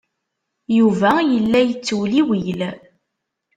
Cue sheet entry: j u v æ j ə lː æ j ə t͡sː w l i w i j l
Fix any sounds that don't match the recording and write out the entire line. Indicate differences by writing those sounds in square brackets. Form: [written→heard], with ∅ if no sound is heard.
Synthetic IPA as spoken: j u v æ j ə lː æ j ə t͡sː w l i w i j l